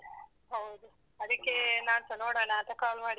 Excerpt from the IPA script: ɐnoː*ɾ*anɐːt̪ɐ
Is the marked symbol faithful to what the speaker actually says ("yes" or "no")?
no